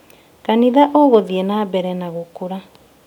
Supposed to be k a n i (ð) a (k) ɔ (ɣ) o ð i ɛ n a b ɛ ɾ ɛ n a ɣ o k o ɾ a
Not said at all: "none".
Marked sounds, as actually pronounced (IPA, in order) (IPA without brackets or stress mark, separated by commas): ð, ʔ, ɣ